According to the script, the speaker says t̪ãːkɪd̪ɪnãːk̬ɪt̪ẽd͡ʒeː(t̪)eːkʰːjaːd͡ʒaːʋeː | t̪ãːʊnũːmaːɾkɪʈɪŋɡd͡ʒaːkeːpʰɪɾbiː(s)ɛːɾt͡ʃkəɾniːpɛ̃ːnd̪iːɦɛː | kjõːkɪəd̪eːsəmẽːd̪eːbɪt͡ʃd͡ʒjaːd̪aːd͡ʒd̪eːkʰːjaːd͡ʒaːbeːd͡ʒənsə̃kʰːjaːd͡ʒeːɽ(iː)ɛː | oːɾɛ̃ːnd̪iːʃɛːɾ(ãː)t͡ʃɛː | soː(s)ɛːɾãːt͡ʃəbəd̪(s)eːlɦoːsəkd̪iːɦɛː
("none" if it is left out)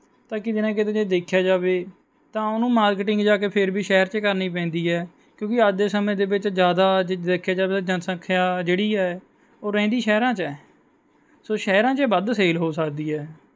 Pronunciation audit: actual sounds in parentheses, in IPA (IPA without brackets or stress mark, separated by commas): d̪, ʃ, iː, ãː, ʃ, s